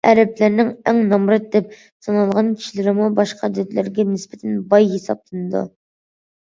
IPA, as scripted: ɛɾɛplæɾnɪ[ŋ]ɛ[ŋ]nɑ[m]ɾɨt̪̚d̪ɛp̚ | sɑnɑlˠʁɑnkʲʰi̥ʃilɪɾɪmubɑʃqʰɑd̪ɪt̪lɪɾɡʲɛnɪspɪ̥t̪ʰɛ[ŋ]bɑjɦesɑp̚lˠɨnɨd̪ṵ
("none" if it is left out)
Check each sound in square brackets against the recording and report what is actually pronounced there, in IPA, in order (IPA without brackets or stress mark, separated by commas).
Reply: ŋ, ŋ, m, n